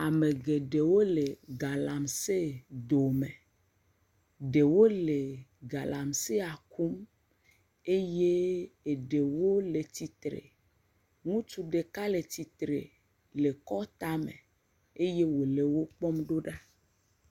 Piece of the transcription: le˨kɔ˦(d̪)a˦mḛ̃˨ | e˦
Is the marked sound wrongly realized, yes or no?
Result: yes